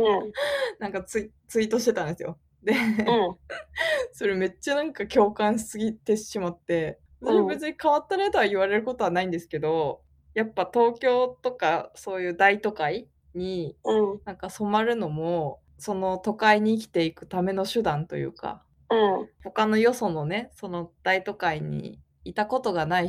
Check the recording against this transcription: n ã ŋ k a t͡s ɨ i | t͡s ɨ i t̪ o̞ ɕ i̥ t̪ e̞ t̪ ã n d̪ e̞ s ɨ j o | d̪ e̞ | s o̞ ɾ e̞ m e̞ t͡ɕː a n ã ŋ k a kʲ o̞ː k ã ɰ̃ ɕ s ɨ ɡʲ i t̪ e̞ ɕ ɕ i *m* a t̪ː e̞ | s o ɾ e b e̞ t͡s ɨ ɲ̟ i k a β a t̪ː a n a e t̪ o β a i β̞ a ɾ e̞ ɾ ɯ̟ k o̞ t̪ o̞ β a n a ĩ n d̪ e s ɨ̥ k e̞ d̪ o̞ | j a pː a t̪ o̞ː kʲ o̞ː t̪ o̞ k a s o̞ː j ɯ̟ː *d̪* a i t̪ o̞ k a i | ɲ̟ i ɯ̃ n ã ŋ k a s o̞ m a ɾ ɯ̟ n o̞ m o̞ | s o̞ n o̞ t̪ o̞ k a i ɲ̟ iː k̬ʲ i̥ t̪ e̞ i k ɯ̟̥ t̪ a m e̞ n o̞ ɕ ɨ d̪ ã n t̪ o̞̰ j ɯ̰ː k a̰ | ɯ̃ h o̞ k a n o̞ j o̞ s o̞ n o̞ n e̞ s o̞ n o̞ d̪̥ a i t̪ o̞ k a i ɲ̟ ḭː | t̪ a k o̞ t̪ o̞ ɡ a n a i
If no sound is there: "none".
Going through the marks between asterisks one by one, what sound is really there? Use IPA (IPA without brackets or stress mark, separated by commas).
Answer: m, d̪